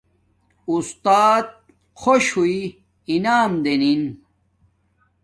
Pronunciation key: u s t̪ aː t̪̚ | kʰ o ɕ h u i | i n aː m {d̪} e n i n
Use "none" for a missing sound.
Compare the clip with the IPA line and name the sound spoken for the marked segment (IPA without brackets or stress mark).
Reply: d̪